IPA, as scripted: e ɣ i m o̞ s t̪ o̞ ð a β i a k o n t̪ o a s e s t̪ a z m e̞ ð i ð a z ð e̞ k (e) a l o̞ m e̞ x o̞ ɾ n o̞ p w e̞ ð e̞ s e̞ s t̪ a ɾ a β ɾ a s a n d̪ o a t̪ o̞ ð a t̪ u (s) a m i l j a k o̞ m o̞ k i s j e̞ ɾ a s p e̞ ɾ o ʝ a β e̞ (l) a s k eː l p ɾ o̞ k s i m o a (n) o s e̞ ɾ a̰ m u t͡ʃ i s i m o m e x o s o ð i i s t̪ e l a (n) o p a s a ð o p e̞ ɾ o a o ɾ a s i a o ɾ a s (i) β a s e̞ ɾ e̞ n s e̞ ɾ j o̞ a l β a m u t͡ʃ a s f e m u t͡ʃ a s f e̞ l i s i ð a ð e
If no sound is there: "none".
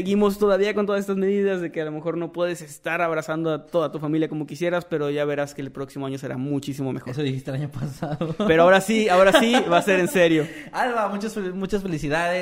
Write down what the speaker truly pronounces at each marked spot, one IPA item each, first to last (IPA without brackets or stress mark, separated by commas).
e, f, ɾ, ɲ, ɲ, i